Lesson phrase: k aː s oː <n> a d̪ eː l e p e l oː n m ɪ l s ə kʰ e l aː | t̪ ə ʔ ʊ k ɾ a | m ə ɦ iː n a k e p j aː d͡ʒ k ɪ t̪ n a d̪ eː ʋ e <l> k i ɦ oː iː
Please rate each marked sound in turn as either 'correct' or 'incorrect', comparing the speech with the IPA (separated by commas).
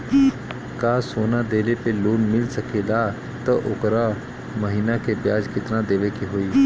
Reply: correct, incorrect